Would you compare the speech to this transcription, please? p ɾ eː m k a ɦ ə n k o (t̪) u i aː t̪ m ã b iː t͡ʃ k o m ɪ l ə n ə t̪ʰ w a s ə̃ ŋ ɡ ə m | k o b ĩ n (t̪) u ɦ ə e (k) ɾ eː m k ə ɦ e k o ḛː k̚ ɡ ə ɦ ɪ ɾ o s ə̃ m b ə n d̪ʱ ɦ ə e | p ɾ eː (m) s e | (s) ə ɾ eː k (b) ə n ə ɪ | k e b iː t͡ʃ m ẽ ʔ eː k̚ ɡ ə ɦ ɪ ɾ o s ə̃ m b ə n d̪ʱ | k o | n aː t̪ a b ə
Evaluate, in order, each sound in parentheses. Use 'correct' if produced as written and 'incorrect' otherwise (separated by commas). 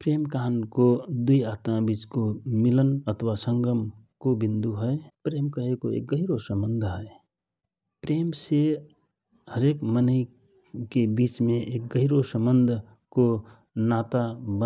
incorrect, incorrect, incorrect, correct, incorrect, incorrect